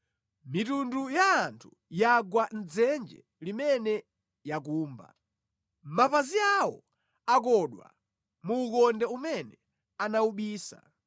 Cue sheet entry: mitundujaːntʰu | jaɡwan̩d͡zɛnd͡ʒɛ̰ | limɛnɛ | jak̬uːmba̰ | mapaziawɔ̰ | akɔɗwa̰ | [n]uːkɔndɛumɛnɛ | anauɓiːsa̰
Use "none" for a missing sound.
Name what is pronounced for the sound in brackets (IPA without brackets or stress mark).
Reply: m